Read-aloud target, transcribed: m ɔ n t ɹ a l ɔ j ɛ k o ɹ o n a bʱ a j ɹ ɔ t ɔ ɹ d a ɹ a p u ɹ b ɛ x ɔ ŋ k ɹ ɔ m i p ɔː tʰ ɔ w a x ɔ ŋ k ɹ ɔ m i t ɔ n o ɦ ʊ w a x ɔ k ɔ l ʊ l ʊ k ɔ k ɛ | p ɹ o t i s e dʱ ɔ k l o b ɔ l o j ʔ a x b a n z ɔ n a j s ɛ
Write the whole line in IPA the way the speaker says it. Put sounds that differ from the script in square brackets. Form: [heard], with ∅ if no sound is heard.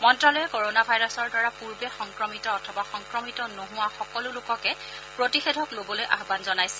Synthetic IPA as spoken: m ɔ n t ɹ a l ɔ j ɛ k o ɹ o n a bʱ a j ɹ ɔ [s] ɔ ɹ d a ɹ a p u ɹ b ɛ x ɔ ŋ k ɹ ɔ m i [t] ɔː tʰ ɔ [b] a x ɔ ŋ k ɹ ɔ m i t ɔ n o ɦ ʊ w a x ɔ k ɔ l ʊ l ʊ k ɔ k ɛ | p ɹ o t i [x] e dʱ ɔ k l o b ɔ l o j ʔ a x b a n z ɔ n a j s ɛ

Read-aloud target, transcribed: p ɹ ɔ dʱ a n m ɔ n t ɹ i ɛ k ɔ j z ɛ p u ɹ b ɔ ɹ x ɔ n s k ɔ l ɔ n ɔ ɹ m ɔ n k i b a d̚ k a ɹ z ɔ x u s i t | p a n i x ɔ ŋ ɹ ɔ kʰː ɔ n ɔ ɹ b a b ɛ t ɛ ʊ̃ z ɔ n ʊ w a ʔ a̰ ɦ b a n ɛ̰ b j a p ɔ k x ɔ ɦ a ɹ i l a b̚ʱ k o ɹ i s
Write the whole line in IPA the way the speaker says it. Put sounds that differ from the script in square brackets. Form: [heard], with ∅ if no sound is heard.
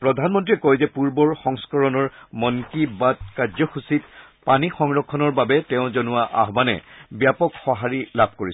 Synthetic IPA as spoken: p ɹ ɔ dʱ a n m ɔ n t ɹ i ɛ k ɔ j z ɛ p u ɹ b ɔ ɹ x ɔ [ŋ] s k ɔ [ɹ] ɔ n ɔ ɹ m ɔ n k i b a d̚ k a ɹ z ɔ x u s i t | p a n i x ɔ ŋ ɹ ɔ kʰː ɔ n ɔ ɹ b a b ɛ t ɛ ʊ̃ z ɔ n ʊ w a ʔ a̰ ɦ b a n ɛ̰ b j a p ɔ k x ɔ ɦ a ɹ i l a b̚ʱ k o ɹ i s

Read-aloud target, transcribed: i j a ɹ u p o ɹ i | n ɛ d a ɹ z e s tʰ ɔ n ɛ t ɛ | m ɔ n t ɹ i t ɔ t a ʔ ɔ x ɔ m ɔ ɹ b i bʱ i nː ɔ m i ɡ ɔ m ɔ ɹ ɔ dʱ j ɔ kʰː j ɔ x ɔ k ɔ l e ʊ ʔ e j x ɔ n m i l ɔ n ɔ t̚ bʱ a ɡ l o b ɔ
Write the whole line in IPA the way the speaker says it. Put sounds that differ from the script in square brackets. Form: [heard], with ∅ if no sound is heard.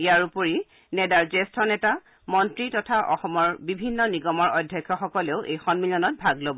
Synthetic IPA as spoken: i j a ɹ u p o ɹ i | n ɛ d a ɹ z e s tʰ ɔ n ɛ t [a] | m ɔ n t ɹ i t ɔ [tʰ] a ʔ ɔ x ɔ m ɔ ɹ b i bʱ i nː ɔ [n] i ɡ ɔ m ɔ ɹ ɔ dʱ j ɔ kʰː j ɔ x ɔ k ɔ l e ʊ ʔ e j x ɔ n m i l ɔ n ɔ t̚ bʱ a ɡ l o b ɔ

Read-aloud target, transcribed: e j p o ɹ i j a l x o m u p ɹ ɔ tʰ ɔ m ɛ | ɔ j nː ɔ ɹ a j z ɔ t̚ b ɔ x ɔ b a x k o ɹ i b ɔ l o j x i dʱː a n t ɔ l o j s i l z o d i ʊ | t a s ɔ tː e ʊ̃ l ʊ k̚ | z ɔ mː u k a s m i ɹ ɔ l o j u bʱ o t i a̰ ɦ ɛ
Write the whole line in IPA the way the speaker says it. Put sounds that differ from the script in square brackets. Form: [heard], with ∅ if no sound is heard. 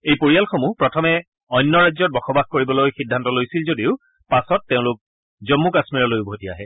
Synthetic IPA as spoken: e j p o ɹ i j a l x o m u p ɹ ɔ tʰ ɔ m ɛ | ɔ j nː ɔ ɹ a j z ɔ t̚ b ɔ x ɔ b a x k o ɹ i b ɔ l o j x i dʱː a n t ɔ l o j s i l z o d i ʊ | [p] a s ɔ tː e ʊ̃ l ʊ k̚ | z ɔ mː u k a s m i ɹ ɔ l o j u bʱ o t i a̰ ɦ ɛ

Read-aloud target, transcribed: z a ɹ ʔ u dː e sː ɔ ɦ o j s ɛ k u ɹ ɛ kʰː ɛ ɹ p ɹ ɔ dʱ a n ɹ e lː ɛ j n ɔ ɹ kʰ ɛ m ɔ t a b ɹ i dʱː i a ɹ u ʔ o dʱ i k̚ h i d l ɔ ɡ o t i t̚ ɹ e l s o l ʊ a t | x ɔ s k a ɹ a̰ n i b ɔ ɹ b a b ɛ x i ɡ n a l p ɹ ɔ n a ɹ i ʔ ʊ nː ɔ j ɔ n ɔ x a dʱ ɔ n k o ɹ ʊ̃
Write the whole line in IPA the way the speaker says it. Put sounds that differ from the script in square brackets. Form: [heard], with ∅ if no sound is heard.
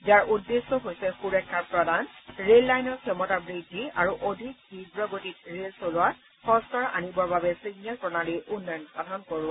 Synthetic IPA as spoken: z a ɹ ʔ u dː e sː ɔ ɦ o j s ɛ [x] u ɹ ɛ kʰː [a] ɹ p ɹ ɔ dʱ a n ɹ e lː [a] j n ɔ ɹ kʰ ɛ m ɔ t a b ɹ i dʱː i a ɹ u ʔ o dʱ i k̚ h i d [ɹ] ɔ ɡ o t i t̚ ɹ e l s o l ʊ a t | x ɔ s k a ɹ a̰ n i b ɔ ɹ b a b ɛ [s] i ɡ n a l p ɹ ɔ n a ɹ i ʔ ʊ nː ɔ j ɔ n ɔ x a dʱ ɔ n k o ɹ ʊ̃

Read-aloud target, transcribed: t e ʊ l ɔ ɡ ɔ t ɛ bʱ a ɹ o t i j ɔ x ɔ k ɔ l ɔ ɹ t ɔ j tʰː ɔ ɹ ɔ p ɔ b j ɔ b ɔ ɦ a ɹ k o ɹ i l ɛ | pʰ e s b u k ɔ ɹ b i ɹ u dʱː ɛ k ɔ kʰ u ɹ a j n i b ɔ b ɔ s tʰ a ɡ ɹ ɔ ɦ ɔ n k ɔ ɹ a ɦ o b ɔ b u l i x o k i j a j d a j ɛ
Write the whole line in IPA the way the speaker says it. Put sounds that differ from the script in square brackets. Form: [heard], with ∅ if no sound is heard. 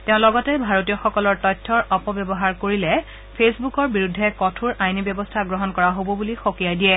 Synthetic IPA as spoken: t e [ʊ̃] l ɔ ɡ ɔ t ɛ bʱ a ɹ o t i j ɔ x ɔ k ɔ l ɔ ɹ t ɔ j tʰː ɔ ɹ ɔ p ɔ b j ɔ b ɔ ɦ a ɹ k o ɹ i l ɛ | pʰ e s b u k ɔ ɹ b i ɹ u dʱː ɛ k ɔ [tʰ] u ɹ a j n i b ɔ b ɔ s tʰ a ɡ ɹ ɔ ɦ ɔ n k ɔ ɹ a ɦ o b ɔ b u l i x o k i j a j d [i] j ɛ

